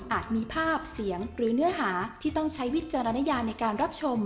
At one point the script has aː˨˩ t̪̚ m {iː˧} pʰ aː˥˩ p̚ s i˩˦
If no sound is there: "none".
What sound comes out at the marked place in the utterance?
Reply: iː˧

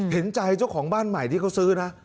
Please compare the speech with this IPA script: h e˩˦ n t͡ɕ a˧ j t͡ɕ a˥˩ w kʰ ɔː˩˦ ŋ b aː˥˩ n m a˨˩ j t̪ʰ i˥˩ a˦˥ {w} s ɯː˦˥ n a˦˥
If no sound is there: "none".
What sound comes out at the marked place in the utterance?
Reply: w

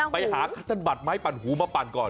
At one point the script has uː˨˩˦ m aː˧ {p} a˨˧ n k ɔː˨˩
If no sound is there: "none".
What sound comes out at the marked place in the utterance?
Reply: p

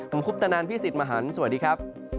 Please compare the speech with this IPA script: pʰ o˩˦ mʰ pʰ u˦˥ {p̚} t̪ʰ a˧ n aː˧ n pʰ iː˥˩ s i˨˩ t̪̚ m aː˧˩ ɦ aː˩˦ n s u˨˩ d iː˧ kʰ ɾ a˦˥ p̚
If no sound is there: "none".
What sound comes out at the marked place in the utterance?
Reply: p̚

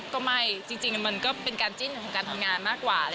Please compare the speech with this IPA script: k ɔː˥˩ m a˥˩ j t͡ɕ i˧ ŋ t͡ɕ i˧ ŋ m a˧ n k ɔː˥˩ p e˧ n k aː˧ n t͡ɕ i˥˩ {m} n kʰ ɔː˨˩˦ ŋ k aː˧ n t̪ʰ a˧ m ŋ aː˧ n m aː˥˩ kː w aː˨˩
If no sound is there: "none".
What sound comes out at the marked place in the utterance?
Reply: none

